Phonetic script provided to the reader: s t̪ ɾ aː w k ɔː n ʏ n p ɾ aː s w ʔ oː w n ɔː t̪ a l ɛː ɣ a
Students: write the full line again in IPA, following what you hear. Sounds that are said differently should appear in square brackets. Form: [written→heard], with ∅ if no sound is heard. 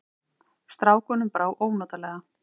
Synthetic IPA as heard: s t̪ ɾ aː w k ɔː n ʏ [n→m] p ɾ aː [s→∅] w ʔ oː w n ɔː t̪ a l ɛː ɣ a